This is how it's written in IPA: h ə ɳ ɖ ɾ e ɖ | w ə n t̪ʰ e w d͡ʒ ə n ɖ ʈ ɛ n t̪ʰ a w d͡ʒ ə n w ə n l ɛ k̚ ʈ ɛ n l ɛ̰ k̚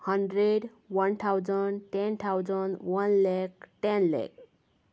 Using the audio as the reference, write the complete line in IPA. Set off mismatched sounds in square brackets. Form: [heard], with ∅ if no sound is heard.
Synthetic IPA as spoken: h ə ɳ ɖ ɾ e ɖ | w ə n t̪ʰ [a] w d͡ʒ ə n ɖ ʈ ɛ n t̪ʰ a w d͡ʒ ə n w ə n l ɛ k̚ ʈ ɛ n l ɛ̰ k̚